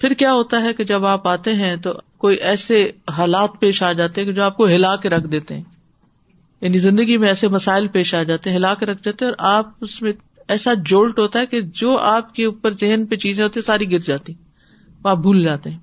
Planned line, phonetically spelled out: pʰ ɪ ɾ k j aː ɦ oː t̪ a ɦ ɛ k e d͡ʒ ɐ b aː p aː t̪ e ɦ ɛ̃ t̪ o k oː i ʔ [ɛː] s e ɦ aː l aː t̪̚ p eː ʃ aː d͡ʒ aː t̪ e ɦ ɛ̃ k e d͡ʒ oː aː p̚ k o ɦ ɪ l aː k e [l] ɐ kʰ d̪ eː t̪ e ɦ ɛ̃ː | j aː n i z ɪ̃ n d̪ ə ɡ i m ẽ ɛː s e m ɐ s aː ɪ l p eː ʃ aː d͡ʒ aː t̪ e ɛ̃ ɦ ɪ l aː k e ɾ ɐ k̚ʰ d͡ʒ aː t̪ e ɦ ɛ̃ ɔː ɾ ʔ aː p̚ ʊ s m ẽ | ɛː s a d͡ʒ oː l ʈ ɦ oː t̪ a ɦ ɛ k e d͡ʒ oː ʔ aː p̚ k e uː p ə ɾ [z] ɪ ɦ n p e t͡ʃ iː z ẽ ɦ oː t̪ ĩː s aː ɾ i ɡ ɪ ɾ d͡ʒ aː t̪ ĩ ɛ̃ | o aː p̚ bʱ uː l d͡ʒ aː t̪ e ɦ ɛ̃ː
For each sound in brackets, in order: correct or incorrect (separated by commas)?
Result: correct, incorrect, correct